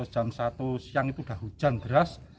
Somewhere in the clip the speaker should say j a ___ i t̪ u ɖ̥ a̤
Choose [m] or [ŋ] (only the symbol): ŋ